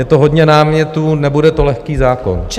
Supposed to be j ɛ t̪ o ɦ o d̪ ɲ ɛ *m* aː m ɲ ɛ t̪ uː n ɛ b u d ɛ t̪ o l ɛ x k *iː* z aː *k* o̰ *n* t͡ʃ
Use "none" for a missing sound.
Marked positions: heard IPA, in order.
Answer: n, iː, k, n

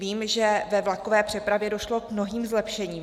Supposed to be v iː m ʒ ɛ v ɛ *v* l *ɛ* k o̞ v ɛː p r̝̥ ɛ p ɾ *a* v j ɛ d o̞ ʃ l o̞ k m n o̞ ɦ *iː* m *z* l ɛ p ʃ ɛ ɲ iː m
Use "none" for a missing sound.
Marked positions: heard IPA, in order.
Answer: v, a, a, iː, z

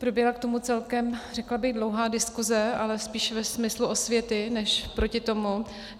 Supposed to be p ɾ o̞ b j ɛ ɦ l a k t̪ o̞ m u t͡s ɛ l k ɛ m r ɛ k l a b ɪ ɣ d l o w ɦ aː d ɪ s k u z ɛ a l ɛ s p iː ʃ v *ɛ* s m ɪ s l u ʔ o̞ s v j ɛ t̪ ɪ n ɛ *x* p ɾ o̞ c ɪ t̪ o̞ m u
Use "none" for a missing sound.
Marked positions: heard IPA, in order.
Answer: ɛ, ʃ

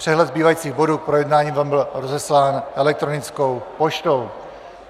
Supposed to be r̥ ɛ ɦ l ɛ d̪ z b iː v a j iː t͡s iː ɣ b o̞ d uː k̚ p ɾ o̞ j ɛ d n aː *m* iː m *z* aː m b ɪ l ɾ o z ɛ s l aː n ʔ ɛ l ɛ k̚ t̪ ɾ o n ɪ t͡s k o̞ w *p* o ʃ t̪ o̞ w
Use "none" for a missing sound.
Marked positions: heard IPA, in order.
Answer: ɲ, v, p

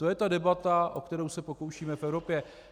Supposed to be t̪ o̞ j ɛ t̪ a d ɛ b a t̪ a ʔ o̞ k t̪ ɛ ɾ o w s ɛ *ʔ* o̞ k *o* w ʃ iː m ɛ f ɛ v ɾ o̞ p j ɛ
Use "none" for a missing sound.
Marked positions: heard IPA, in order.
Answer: p, o

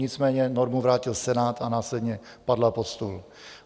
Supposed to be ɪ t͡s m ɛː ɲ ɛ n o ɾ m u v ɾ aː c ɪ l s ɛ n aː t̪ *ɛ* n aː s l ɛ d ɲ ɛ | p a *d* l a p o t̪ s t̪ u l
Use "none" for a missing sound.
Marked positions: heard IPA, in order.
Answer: a, d

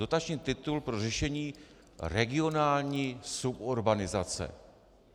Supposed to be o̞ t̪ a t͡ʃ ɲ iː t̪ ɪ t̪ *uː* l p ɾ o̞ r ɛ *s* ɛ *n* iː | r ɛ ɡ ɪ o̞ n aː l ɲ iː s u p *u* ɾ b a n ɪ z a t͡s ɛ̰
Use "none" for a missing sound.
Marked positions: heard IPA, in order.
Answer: u, ʃ, ɲ, o

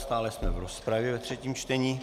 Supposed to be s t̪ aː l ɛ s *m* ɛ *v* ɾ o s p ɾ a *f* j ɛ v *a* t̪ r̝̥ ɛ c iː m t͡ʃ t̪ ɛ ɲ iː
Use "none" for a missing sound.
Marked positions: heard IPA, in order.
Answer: m, v, v, ɛ

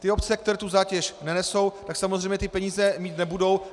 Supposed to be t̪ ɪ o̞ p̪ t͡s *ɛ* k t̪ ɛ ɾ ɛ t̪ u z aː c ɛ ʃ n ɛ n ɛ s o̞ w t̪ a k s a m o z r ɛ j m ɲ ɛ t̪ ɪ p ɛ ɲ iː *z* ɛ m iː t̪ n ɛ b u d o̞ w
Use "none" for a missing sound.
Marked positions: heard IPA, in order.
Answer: ɛ, z

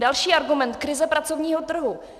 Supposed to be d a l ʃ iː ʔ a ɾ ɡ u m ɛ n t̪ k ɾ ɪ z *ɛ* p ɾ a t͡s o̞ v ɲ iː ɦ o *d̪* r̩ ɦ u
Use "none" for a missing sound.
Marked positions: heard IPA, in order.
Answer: ɛ, t̪

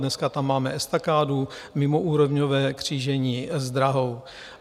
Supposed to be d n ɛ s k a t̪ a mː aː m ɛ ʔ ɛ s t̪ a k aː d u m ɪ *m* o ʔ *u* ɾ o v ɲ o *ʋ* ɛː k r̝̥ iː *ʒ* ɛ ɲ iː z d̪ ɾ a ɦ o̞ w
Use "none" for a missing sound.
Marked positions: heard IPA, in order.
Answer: m, uː, v, ʒ

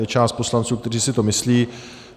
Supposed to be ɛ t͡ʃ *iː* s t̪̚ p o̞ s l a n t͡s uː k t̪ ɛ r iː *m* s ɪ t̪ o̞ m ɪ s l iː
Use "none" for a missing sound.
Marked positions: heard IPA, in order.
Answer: aː, none

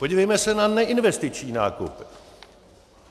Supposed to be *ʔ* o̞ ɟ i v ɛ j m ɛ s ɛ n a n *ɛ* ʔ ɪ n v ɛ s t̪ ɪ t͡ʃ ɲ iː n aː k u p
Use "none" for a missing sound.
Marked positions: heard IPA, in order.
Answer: p, ɛ

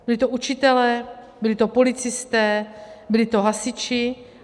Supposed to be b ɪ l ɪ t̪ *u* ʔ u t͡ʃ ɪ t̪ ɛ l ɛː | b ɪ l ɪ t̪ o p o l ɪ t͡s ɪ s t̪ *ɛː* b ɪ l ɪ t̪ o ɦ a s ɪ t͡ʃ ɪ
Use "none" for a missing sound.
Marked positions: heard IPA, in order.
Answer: o, ɛː

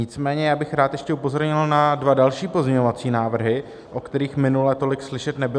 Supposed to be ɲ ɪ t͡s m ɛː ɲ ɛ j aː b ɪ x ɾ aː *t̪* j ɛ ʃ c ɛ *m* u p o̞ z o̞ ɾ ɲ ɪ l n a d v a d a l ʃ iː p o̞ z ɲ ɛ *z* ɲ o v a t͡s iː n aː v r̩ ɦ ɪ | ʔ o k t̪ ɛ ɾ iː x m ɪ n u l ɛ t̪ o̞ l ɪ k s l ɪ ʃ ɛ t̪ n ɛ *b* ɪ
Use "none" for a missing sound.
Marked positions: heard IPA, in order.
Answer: t̪, none, none, b

